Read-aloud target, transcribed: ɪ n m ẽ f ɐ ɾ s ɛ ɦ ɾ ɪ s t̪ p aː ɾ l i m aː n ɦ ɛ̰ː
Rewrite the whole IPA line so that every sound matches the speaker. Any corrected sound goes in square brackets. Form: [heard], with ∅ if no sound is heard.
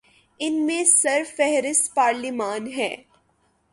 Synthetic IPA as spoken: ɪ n m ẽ [s] ɐ ɾ [f] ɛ ɦ ɾ ɪ s t̪ p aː ɾ l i m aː n ɦ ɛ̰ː